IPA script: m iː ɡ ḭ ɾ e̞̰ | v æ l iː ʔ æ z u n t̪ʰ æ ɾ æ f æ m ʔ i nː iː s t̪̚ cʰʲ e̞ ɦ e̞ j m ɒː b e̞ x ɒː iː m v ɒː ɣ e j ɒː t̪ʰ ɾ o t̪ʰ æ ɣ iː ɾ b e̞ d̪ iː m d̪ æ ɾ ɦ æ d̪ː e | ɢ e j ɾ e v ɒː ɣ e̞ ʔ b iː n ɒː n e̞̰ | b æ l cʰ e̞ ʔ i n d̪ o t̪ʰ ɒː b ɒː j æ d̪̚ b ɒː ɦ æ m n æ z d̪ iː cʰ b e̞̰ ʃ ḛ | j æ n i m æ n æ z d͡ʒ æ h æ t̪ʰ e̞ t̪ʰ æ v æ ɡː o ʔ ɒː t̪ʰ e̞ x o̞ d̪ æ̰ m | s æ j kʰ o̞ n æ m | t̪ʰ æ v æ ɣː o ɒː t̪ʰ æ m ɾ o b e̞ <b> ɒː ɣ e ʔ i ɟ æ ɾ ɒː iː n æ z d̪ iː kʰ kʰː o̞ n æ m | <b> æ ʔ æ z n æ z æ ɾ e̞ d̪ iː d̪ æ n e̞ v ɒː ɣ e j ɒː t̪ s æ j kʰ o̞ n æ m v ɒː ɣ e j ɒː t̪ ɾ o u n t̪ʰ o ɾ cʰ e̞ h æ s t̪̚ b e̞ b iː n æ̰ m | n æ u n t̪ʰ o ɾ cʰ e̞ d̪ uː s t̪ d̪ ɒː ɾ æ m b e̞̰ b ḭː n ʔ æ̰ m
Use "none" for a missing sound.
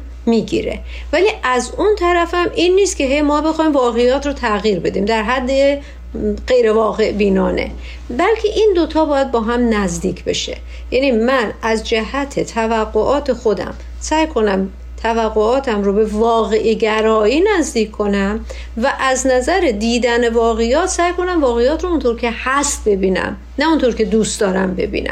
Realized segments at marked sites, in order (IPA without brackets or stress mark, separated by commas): v, v